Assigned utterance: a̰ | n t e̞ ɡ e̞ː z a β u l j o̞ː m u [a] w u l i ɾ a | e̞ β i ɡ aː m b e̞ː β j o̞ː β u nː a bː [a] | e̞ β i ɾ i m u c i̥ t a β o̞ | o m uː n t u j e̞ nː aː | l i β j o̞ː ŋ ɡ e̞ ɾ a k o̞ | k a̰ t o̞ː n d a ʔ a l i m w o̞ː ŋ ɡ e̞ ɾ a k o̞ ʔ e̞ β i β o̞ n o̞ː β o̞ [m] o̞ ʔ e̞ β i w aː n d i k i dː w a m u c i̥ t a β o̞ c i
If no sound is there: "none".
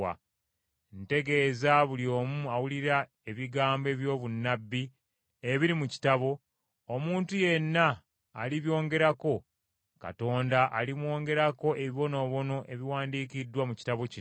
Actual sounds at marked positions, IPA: a, i, n

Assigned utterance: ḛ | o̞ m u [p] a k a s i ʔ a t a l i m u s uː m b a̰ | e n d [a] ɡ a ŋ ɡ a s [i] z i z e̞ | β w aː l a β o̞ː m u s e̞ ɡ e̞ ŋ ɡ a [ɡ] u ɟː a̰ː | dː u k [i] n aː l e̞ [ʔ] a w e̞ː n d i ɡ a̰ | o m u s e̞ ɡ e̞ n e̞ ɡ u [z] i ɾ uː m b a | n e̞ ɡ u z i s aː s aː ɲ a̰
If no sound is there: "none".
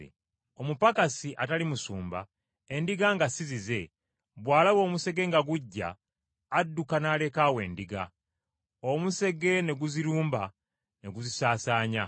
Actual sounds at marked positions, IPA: p, i, i, ɡ, a, k, z

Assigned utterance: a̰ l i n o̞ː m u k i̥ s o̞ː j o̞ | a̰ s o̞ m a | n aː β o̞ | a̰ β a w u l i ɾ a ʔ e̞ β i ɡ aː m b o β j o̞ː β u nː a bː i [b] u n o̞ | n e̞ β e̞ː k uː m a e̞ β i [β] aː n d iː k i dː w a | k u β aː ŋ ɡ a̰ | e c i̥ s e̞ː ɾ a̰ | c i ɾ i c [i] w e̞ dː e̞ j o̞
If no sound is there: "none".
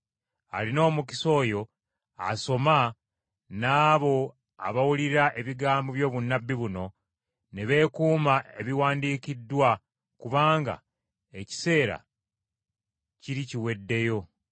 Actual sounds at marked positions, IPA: β, w, i

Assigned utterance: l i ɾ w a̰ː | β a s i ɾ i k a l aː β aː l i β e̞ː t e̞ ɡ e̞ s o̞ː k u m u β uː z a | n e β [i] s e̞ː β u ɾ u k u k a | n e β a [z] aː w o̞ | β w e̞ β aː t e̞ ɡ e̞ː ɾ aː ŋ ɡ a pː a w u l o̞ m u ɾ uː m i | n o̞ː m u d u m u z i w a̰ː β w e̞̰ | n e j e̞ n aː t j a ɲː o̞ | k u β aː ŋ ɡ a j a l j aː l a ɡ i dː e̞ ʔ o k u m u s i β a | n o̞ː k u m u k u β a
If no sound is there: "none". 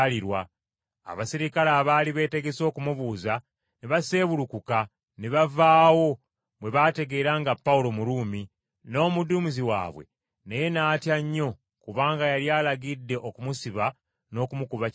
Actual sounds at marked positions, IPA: a, v

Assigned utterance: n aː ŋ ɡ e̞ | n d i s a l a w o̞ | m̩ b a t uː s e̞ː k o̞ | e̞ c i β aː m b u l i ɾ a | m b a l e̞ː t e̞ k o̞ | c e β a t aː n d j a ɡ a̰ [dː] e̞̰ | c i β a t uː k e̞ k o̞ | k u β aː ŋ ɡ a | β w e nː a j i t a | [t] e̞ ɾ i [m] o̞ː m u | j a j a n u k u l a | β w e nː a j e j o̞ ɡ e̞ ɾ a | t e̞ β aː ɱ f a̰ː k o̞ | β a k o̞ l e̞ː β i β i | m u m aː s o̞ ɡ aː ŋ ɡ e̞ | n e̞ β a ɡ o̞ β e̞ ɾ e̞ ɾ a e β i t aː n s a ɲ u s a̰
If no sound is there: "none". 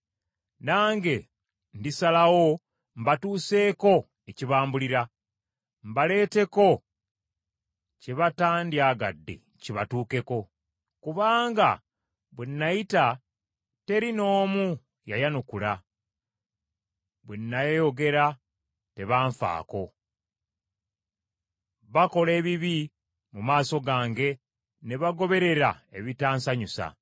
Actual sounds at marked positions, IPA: dː, t, n

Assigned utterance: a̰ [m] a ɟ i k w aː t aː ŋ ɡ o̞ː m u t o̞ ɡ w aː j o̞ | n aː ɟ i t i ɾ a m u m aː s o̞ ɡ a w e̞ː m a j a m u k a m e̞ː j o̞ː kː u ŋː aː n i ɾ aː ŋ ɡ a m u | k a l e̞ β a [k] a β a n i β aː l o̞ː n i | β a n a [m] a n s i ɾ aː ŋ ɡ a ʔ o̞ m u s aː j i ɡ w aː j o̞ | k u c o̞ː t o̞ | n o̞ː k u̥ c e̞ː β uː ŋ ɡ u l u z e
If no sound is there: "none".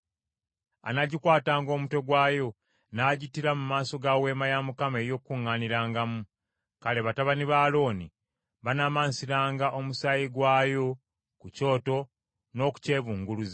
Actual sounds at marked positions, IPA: n, t, m

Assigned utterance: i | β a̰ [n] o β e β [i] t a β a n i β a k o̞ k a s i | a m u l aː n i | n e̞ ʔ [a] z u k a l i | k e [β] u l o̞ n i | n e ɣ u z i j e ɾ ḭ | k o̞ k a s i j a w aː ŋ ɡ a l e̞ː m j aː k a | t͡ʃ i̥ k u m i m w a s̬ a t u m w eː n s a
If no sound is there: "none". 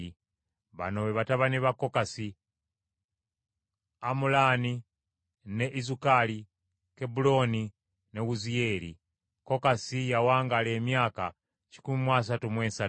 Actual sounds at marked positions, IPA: n, a, i, b

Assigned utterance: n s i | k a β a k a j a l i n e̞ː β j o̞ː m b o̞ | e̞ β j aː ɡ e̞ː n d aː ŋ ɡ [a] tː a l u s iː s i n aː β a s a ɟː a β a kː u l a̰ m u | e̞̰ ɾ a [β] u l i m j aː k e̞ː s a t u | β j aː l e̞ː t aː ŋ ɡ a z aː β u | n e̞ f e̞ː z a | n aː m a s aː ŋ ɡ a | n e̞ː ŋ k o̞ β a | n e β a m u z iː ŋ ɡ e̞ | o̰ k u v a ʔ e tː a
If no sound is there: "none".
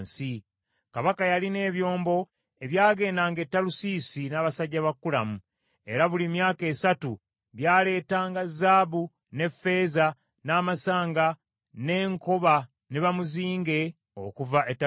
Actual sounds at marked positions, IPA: e, β

